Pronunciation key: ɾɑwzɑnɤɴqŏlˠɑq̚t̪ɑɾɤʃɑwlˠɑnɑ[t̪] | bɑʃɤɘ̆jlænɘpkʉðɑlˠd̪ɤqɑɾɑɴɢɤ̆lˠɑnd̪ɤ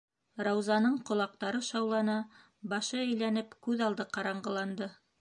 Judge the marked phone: incorrect: none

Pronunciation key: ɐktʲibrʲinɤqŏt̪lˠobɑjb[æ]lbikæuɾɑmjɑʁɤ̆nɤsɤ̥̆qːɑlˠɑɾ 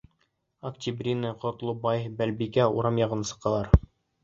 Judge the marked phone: correct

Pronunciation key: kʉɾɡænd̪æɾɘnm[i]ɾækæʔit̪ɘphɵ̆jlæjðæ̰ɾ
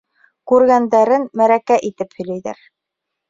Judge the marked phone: incorrect: æ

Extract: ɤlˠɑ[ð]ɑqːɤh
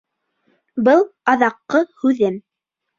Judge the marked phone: correct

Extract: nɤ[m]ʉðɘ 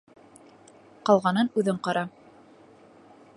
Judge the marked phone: incorrect: n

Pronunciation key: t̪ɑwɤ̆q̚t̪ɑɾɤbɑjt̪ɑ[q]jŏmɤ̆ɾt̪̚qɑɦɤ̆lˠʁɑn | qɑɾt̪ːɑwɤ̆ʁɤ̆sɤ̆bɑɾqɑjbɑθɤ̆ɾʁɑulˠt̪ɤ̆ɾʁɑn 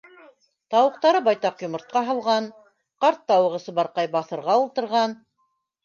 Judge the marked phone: correct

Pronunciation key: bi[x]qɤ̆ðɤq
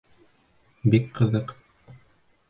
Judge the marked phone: incorrect: k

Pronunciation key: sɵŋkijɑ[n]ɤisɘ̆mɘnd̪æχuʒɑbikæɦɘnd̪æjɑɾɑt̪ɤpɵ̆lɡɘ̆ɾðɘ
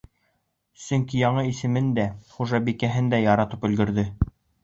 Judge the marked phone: incorrect: ɴ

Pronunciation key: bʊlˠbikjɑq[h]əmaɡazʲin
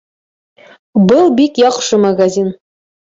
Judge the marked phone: incorrect: ʃ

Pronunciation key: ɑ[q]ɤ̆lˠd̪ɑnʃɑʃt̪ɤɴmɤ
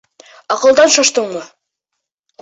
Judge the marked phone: correct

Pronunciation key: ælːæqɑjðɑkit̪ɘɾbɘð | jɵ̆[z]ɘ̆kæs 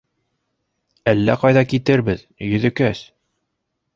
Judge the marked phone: incorrect: ð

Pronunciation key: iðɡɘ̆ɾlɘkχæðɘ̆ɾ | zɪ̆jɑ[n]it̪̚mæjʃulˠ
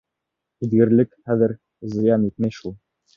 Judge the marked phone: correct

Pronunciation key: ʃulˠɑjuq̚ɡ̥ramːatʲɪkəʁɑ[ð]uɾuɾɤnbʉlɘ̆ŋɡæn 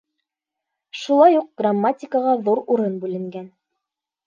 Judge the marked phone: correct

